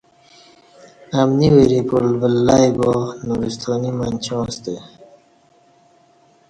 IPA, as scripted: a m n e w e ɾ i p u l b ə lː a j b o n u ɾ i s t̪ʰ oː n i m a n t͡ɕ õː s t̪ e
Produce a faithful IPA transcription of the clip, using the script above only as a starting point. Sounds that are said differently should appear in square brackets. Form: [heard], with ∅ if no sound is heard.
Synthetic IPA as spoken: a m n [i] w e ɾ i p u l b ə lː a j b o n u ɾ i s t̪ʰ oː n i m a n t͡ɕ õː s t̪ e